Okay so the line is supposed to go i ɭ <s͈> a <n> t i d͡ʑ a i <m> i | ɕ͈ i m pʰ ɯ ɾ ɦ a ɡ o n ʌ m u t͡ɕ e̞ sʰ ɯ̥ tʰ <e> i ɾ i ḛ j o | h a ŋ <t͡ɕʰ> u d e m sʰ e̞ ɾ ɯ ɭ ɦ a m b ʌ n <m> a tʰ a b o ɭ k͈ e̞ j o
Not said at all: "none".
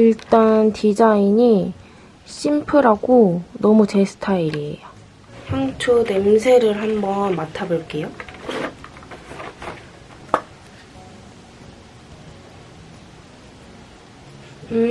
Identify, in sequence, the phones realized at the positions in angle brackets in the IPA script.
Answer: t͈, n, ɲ, a, t͡ɕʰ, m

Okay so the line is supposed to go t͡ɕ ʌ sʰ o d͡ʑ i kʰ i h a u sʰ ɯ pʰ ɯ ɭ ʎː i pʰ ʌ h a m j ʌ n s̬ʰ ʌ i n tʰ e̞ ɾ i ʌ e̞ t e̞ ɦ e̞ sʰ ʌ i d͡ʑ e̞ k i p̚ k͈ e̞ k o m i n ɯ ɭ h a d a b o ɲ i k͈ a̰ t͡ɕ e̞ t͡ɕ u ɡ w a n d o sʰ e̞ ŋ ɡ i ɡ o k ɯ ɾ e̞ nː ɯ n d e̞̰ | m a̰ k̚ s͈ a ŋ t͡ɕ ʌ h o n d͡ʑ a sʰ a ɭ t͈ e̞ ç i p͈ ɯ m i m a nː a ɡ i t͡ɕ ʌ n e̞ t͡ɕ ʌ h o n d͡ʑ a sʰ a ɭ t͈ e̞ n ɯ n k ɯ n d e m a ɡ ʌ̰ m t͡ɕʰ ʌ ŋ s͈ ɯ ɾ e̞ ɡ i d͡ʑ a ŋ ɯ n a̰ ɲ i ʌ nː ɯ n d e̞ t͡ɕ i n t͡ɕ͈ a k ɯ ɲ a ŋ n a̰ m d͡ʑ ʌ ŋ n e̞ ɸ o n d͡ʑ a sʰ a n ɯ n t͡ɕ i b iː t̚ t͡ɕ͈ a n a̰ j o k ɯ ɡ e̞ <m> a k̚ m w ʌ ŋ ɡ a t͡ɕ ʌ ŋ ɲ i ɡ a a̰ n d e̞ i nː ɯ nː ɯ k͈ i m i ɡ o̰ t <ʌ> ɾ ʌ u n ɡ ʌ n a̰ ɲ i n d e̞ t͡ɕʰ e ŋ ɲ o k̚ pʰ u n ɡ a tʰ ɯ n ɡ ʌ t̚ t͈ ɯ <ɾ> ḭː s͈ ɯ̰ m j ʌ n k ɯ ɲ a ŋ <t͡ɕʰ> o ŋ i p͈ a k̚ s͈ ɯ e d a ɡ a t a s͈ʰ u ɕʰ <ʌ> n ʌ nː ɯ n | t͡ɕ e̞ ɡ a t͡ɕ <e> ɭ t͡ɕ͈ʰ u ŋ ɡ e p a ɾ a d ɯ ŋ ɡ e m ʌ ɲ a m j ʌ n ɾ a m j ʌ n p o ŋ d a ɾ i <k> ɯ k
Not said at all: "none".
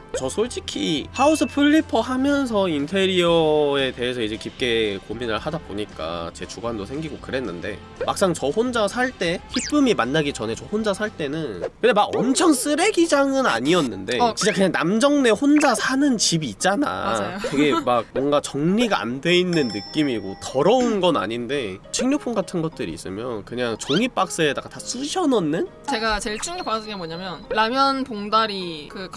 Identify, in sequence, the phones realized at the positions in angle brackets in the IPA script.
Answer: m, ʌ, ɾ, t͡ɕ, ʌ, e, k

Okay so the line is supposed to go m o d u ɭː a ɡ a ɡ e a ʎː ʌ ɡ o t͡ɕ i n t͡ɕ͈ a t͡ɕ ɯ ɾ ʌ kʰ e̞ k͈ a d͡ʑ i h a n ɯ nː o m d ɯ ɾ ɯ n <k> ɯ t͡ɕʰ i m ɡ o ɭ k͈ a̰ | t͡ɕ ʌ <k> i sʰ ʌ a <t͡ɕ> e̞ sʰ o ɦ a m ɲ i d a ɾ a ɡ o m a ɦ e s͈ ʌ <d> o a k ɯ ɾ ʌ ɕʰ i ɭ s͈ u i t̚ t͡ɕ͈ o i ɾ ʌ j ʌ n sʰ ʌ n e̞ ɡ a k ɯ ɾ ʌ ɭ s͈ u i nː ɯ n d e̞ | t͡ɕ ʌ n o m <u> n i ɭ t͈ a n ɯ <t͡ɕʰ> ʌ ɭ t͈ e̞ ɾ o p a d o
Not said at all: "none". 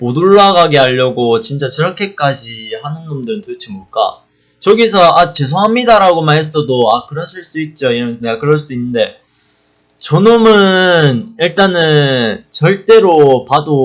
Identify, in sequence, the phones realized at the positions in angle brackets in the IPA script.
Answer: t, ɡ, t͡ɕ, d, ɯ, t͡ɕ

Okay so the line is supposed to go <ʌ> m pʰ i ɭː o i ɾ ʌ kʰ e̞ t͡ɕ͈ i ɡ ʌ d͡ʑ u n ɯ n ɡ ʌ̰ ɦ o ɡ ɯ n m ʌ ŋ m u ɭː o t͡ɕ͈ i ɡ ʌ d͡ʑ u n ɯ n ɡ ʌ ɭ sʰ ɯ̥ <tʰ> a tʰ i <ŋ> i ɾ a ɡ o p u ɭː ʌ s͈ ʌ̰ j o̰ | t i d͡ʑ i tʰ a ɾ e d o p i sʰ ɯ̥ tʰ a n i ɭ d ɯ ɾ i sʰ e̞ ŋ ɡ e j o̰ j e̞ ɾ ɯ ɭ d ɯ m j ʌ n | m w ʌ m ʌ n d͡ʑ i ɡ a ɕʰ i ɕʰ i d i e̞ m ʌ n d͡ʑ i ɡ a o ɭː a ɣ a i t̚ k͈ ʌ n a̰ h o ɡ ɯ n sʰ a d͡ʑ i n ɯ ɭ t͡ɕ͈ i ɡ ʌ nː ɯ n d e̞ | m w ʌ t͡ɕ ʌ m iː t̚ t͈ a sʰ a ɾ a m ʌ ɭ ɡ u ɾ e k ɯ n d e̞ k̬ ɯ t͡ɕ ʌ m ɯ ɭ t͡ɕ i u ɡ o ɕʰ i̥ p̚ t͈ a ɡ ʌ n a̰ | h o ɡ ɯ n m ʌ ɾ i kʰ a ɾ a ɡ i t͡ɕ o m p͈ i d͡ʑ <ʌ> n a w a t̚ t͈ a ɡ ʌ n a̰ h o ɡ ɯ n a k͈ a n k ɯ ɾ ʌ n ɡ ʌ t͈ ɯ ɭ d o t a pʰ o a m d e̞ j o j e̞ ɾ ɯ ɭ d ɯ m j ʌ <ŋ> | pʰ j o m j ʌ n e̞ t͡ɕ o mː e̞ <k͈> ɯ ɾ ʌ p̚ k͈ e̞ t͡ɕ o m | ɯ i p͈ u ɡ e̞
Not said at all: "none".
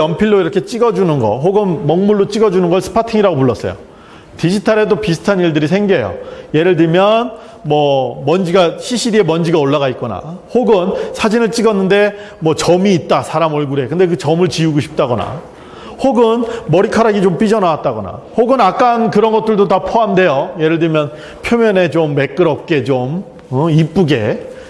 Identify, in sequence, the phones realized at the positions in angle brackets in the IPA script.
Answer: ʌ, pʰ, ŋ, ʌ, n, k͈

